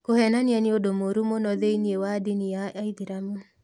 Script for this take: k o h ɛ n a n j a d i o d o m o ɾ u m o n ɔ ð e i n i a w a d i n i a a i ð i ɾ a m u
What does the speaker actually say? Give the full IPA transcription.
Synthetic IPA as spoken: k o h ɛ n a n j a n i o d o m o ɾ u m o n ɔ ð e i n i e w a d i n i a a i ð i ɾ a m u